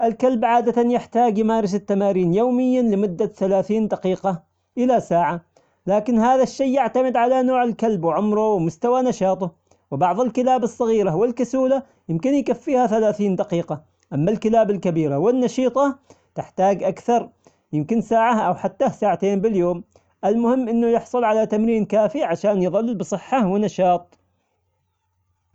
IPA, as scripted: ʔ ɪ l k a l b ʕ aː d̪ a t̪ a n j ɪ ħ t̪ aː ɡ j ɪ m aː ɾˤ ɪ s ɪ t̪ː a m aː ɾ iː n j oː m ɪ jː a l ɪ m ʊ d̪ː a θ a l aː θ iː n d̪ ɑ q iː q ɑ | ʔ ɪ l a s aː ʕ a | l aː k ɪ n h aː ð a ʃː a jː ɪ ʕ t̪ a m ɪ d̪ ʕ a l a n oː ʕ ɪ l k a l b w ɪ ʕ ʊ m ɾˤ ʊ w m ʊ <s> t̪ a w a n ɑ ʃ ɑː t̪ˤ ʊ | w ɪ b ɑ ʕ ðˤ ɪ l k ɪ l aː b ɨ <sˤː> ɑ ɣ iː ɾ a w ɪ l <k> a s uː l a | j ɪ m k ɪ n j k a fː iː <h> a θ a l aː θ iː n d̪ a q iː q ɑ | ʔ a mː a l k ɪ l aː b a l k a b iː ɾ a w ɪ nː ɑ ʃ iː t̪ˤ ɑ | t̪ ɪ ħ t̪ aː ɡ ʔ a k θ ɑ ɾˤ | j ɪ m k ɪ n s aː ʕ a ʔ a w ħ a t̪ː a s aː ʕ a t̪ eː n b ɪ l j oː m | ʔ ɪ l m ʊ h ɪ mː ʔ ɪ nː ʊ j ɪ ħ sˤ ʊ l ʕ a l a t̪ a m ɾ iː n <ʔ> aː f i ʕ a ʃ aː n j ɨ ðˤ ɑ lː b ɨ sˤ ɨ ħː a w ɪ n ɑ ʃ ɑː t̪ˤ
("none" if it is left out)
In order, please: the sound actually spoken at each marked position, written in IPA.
s, sˤː, k, h, k

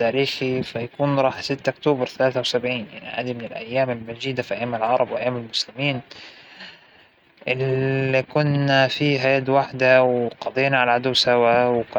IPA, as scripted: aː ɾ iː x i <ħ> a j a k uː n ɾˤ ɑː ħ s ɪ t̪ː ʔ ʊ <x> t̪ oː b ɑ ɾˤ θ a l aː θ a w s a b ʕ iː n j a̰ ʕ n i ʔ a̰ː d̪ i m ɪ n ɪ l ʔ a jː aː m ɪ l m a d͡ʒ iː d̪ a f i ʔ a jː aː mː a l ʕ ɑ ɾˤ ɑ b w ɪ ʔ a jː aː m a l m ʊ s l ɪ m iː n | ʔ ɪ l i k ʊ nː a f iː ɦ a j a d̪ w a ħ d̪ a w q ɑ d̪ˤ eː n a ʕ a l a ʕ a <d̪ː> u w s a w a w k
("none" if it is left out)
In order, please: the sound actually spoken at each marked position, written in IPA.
f, k, d̪

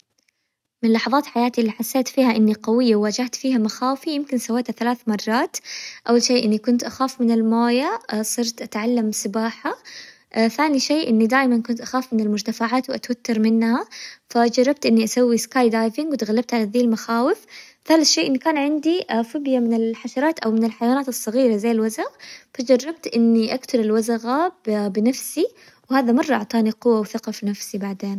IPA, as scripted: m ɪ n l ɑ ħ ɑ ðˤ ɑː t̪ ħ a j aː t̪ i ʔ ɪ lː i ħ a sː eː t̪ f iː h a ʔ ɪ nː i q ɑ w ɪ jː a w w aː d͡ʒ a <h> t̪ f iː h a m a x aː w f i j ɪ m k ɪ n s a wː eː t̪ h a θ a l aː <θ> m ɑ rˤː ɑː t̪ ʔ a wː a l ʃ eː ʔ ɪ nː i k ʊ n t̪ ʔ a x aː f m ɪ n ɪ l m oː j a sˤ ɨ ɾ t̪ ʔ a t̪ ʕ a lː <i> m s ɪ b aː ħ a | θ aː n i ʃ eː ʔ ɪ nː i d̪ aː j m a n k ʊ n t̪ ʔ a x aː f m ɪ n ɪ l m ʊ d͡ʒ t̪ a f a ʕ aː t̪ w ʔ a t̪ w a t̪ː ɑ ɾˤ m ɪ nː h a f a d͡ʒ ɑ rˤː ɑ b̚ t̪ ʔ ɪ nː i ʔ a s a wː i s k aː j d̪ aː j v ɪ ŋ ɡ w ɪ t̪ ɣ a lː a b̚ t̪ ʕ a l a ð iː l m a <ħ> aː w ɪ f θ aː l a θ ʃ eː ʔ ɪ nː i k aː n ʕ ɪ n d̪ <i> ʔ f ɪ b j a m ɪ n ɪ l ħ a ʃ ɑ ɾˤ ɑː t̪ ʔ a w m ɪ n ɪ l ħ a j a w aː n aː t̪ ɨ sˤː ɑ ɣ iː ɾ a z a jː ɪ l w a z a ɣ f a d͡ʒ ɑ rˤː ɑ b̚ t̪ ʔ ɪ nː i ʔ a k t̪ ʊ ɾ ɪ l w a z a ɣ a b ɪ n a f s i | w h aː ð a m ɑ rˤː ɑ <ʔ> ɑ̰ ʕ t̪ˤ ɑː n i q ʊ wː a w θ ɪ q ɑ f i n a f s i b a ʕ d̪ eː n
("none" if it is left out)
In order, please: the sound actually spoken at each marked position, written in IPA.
h, θ, a, x, i, ʔ

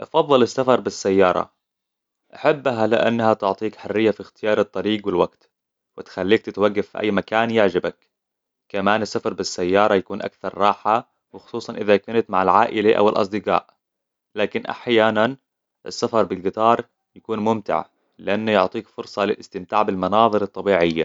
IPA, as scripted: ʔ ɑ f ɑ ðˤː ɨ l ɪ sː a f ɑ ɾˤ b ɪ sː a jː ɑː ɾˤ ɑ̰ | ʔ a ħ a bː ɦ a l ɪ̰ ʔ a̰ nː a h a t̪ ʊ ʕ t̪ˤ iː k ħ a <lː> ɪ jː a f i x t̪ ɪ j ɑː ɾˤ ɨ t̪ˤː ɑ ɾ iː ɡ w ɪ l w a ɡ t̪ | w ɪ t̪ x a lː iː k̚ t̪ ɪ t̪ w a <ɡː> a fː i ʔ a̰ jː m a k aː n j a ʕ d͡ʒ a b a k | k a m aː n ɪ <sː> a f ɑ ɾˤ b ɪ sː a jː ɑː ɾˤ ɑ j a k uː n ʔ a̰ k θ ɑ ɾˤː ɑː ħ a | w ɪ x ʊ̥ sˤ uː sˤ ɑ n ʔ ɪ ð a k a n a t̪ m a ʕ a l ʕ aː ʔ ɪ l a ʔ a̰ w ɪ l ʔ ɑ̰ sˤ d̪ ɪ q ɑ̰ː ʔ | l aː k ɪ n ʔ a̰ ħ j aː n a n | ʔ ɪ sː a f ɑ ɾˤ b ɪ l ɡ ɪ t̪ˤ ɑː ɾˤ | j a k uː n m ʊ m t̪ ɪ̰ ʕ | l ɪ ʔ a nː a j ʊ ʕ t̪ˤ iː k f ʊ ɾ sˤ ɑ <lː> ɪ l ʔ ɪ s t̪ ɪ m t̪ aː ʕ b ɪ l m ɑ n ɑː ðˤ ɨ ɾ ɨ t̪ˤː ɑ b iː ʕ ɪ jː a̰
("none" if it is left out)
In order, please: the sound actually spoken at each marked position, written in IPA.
rː, ɡː, sː, l

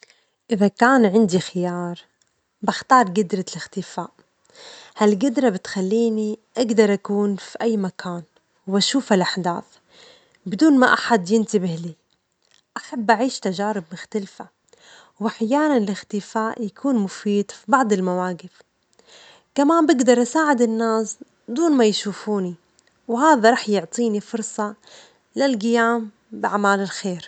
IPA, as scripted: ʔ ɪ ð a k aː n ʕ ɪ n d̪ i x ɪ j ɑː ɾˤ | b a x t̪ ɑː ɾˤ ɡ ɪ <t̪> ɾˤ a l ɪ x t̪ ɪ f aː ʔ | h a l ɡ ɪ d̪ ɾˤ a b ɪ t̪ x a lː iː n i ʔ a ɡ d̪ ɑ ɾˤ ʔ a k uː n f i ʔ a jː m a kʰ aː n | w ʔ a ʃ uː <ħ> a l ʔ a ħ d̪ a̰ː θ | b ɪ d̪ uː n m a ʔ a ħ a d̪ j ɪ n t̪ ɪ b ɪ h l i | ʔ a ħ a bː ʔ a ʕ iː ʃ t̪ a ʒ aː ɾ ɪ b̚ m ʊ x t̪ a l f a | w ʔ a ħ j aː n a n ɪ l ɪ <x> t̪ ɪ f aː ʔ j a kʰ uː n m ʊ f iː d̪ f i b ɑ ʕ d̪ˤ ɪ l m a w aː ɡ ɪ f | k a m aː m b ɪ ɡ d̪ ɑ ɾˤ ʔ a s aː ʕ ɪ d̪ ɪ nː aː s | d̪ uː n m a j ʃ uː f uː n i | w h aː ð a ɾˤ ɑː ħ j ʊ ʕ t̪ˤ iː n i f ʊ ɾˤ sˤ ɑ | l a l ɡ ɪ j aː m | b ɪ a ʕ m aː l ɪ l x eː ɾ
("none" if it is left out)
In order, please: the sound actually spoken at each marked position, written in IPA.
d̪, f, x

